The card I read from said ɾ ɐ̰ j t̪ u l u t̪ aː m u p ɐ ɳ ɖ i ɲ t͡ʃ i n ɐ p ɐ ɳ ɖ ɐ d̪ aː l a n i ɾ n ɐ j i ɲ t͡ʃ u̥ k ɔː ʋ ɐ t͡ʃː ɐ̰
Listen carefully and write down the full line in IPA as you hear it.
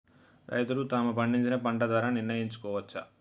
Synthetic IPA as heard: ɾ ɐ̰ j t̪ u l u t̪ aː m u p ɐ ɳ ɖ i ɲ t͡ʃ i n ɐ p ɐ ɳ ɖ ɐ d̪ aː ɾ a n i ɾ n ɐ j i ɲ t͡ʃ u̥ k ɔː ʋ ɐ t͡ʃː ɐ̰